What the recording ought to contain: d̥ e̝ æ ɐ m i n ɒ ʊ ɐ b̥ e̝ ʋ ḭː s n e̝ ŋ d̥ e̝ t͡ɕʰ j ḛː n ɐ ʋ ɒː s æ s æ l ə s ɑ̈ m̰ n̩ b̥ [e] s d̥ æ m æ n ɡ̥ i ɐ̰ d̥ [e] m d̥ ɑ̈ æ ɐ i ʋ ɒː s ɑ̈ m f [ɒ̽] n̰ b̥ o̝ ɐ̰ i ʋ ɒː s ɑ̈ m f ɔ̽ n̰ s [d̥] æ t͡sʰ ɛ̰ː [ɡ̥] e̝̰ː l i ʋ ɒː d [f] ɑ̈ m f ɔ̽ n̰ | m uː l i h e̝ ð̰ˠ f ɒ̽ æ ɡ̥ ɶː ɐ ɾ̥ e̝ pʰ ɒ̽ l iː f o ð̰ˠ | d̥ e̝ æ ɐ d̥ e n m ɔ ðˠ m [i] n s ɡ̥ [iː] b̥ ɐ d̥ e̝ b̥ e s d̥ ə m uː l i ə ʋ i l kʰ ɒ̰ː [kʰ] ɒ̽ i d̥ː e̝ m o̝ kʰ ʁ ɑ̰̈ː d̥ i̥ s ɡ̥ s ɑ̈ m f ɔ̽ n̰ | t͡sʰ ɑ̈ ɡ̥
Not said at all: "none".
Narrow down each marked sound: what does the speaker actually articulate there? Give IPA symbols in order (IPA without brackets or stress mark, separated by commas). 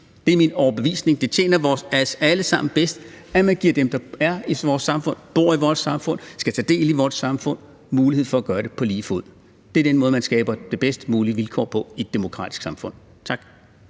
e, e, ɔ̽, ɡ̥, d̥, s, æ, ɛː, pʰ